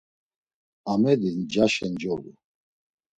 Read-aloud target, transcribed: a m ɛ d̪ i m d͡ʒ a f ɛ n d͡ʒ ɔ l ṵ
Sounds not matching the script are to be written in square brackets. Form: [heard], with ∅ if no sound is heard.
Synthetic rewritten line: a m ɛ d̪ i [n] d͡ʒ a [ʃ] ɛ n d͡ʒ ɔ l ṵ